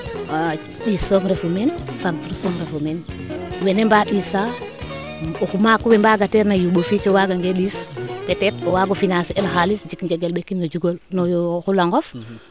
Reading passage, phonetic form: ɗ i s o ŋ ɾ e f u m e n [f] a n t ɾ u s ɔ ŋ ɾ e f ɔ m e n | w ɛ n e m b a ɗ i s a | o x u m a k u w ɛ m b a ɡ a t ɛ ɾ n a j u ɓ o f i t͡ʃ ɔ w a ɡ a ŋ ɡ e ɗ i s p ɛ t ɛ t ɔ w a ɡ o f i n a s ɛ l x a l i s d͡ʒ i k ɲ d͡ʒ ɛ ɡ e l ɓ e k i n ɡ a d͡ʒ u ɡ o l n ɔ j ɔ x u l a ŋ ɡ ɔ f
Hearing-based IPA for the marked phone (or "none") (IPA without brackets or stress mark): s